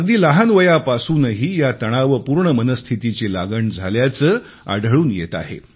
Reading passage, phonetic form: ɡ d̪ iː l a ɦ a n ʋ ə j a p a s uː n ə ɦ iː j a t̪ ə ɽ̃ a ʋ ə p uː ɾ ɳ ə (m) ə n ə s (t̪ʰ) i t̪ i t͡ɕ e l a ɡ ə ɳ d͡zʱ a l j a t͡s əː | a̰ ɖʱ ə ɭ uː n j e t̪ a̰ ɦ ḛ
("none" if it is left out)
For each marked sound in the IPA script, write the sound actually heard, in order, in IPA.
m, t̪ʰ

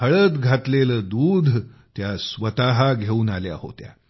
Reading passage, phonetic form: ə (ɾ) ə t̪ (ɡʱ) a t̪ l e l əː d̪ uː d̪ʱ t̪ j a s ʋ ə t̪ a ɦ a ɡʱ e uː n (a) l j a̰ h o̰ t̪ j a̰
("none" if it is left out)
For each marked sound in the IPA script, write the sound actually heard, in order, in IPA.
ɭ, ɡʱ, a

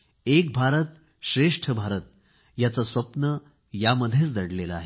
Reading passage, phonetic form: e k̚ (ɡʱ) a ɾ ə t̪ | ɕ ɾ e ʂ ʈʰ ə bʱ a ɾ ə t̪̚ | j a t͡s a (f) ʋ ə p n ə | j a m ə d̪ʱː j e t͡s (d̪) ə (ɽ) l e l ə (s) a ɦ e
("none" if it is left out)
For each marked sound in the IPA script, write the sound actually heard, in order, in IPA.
bʱ, s, d̪, ɽ, none

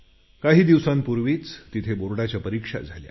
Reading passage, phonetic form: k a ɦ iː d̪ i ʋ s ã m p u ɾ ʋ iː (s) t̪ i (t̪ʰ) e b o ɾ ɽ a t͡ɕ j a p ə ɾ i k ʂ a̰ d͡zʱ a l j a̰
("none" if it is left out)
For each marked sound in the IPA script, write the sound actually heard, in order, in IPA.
t͡s, t̪ʰ

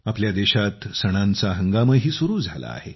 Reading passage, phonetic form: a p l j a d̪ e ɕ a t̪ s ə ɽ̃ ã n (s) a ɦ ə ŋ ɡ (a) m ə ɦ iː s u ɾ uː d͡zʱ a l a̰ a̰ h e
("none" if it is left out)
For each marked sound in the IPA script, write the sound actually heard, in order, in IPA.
t͡s, a

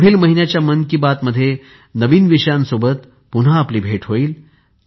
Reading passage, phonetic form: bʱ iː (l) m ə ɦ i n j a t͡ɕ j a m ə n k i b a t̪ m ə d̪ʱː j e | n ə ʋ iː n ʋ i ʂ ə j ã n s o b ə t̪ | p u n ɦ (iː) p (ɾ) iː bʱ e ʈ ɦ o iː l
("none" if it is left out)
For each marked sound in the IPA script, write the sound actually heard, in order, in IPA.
l, aː, l

